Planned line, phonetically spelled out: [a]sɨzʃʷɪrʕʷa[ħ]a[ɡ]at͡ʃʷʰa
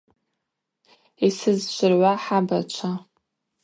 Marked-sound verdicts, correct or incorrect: incorrect: i, correct, incorrect: b

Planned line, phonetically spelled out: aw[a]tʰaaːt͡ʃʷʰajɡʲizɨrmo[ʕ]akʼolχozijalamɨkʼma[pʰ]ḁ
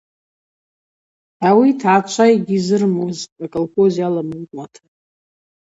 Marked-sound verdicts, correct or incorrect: incorrect: i, incorrect: z, incorrect: tʰ

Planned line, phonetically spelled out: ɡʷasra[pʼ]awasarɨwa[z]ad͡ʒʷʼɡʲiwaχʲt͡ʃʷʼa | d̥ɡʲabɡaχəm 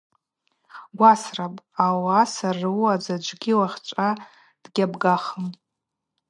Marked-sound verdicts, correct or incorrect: correct, incorrect: d͡z

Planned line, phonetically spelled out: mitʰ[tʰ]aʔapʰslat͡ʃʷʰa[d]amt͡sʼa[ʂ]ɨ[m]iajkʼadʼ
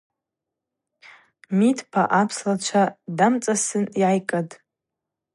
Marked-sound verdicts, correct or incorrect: incorrect: pʰ, correct, incorrect: s, incorrect: n

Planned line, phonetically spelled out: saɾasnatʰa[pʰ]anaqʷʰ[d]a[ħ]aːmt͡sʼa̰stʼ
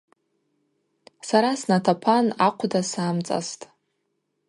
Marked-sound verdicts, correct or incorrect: correct, correct, incorrect: s

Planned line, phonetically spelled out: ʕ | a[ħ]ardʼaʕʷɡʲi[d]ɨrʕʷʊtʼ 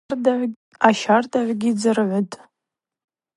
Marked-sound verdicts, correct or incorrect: incorrect: ʃ, incorrect: d͡z

